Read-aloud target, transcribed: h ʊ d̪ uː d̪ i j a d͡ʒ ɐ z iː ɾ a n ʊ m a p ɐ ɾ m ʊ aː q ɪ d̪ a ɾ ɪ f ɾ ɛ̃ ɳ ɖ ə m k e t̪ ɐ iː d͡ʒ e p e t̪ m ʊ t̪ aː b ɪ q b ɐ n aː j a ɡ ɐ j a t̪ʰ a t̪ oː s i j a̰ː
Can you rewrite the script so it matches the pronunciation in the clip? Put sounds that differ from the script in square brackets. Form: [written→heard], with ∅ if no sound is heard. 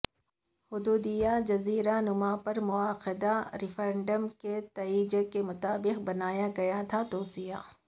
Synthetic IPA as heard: h ʊ d̪ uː d̪ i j a d͡ʒ ɐ z iː ɾ a n ʊ m a p ɐ ɾ m ʊ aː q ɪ d̪ a ɾ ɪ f ɾ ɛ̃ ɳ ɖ ə m k e t̪ ɐ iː d͡ʒ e [p→k] e [t̪→∅] m ʊ t̪ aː b ɪ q b ɐ n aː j a ɡ ɐ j a t̪ʰ a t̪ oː s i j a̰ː

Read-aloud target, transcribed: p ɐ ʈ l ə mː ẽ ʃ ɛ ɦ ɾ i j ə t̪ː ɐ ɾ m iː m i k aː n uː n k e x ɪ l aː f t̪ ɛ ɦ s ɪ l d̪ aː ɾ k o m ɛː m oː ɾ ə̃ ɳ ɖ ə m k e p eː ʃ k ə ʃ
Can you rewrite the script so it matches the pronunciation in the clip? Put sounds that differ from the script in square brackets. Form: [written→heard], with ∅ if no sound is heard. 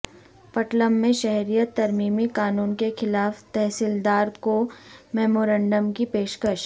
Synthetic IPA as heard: p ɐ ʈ l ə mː ẽ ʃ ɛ ɦ ɾ i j ə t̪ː ɐ ɾ m iː m i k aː n uː n k e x ɪ l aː f t̪ ɛ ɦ s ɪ l d̪ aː ɾ k o m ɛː m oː ɾ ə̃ ɳ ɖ ə m k [e→i] p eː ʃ k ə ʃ

